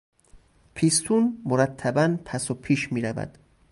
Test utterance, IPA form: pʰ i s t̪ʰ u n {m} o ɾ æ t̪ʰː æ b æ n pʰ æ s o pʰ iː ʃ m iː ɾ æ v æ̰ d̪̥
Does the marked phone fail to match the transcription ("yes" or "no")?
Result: no